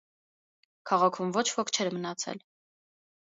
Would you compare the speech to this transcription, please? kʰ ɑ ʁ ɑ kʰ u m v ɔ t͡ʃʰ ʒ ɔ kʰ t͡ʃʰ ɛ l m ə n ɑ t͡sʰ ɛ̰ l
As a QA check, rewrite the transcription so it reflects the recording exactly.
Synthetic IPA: kʰ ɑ ʁ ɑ kʰ u m v ɔ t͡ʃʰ v ɔ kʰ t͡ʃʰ ɛ ɾ m ə n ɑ t͡sʰ ɛ̰ l